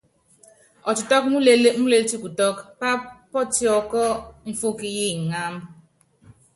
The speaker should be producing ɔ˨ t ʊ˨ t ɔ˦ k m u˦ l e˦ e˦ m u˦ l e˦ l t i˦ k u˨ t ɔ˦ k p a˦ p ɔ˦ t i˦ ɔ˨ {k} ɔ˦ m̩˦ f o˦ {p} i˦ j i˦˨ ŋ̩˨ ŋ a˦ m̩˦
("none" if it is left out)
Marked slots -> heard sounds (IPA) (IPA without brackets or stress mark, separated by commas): k, k